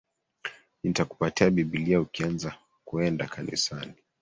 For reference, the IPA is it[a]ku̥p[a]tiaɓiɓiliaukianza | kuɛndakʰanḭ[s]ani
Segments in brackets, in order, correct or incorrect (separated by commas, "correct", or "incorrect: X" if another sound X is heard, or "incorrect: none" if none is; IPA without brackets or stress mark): correct, correct, correct